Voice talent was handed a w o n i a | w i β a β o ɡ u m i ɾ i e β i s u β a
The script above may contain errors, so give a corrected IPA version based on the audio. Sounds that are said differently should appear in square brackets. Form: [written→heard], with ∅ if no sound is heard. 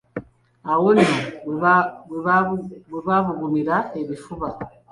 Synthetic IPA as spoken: a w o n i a | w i β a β [o→u] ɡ u m i ɾ [i→a] e β i [s→f] u β a